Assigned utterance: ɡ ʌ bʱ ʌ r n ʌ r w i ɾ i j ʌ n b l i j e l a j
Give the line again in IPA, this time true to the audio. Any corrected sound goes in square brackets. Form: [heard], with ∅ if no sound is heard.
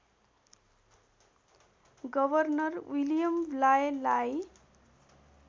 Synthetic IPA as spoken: ɡ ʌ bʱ ʌ r n ʌ r w i [l] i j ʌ [m] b l [a] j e l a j